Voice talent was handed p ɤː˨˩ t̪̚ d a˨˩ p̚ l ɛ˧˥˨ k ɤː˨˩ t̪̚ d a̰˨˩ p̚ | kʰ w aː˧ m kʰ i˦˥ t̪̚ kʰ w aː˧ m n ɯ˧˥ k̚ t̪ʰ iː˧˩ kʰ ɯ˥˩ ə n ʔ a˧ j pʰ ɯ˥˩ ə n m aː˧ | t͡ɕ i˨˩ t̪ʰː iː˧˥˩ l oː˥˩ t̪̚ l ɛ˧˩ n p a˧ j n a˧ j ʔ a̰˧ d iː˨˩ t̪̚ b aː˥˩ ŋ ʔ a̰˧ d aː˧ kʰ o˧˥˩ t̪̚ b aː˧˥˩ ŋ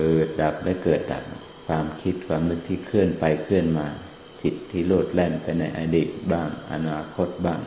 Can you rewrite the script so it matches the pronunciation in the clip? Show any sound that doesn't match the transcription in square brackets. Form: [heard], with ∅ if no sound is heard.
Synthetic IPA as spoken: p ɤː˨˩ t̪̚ d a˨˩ p̚ l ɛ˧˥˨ k ɤː˨˩ t̪̚ d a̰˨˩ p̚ | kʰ w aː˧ m kʰ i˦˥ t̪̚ kʰ w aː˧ m n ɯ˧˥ k̚ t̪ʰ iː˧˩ kʰ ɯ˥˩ ə n [p] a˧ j [kʰ] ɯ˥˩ ə n m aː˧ | t͡ɕ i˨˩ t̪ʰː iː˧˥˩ l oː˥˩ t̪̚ l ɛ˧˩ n p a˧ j n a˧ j ʔ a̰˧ d iː˨˩ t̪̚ b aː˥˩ ŋ ʔ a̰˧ [n] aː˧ kʰ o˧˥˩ t̪̚ b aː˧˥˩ ŋ